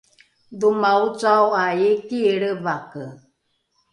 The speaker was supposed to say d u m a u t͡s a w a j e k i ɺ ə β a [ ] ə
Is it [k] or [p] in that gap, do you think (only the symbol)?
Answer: k